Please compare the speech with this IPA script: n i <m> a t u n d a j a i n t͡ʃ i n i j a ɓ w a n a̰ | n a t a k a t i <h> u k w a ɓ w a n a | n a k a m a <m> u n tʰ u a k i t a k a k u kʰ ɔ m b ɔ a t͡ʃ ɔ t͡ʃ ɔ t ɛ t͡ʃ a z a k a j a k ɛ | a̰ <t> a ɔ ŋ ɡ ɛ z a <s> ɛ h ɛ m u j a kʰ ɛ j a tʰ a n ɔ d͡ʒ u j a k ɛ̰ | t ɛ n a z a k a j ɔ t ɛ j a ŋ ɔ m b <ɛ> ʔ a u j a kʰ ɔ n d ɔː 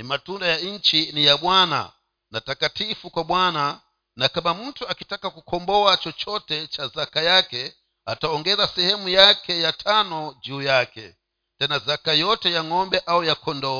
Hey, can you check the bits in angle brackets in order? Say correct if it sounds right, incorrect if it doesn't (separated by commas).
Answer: correct, incorrect, correct, correct, correct, correct